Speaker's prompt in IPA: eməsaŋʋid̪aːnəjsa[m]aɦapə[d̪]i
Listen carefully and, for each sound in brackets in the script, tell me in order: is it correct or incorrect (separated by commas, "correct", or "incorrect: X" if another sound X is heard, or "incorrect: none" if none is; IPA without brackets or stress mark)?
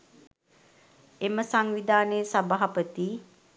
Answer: incorrect: b, incorrect: t̪